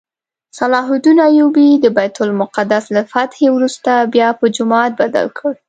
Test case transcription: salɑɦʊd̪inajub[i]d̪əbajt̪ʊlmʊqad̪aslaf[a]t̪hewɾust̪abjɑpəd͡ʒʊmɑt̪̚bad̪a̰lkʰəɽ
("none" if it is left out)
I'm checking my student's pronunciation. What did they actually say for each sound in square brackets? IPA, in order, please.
i, a

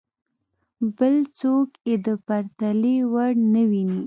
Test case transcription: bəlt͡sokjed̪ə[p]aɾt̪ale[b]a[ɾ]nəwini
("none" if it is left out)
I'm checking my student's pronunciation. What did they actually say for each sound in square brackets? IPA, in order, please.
p, w, ɽ

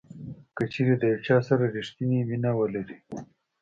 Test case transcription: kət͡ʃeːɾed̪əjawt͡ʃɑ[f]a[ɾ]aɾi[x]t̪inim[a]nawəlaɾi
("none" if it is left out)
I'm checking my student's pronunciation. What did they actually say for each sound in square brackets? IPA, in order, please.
s, ɾ, ʂ, i

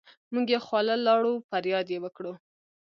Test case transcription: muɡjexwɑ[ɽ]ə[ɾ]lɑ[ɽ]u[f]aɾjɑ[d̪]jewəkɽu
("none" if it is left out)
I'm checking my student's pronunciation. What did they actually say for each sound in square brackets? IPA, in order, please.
l, none, ɽ, f, d̪

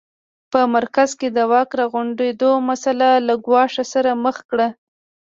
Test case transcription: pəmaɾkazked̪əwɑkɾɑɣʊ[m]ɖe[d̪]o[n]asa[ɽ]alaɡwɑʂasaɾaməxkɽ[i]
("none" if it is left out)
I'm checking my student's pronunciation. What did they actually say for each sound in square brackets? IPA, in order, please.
ɳ, d̪, m, l, a

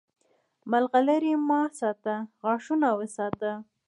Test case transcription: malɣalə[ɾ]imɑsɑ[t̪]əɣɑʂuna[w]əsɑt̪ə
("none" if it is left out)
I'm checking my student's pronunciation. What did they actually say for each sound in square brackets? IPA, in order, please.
ɾ, t̪, w

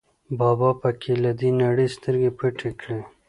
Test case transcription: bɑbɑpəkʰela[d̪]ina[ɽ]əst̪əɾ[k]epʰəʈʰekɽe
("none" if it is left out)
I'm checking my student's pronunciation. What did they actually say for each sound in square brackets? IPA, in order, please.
d̪, ɽ, ɡ

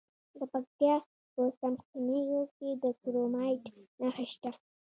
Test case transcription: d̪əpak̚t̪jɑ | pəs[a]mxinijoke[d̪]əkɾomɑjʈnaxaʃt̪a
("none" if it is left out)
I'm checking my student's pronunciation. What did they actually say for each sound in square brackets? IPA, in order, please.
a, d̪

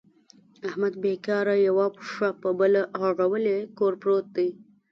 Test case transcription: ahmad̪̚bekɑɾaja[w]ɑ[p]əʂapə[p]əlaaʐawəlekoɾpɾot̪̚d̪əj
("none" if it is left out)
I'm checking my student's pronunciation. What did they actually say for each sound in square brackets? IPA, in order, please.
w, p, b

